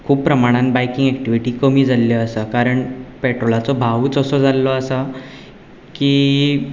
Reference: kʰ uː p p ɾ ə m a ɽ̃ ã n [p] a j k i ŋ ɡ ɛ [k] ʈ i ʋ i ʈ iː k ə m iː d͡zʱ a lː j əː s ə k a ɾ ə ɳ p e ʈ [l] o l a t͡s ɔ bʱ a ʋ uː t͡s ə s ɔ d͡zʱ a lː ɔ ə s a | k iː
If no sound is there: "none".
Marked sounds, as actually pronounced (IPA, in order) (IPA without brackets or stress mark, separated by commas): b, k, ɾ